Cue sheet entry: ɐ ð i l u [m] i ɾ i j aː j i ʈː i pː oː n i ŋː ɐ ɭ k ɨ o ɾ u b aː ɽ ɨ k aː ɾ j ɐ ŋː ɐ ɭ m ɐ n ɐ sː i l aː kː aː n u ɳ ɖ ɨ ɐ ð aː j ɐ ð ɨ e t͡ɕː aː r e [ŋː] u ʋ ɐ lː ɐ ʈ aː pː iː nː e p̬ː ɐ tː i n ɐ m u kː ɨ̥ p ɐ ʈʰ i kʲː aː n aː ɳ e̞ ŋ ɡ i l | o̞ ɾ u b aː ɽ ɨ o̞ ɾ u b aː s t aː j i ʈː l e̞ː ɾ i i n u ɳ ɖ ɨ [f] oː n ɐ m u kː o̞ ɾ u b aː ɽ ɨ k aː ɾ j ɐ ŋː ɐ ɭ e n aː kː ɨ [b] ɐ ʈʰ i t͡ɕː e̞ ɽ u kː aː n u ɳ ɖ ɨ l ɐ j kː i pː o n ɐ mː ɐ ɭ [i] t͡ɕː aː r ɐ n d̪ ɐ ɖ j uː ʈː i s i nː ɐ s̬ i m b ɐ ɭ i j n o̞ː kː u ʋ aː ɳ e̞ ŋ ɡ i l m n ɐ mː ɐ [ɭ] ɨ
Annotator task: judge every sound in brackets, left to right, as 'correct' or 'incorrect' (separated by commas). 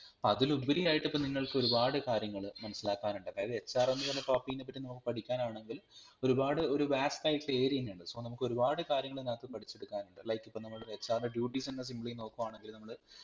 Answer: incorrect, incorrect, incorrect, incorrect, incorrect, correct